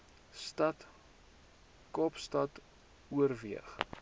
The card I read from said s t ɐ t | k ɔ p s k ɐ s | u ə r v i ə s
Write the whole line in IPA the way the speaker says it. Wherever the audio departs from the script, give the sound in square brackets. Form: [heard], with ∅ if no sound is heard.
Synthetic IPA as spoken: s t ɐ t | k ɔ p s [t] ɐ [t] | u ə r v i ə [χ]